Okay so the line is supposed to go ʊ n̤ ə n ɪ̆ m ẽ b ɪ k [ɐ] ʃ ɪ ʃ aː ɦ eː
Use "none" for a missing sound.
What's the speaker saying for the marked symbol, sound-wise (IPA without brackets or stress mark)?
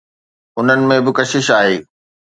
ɐ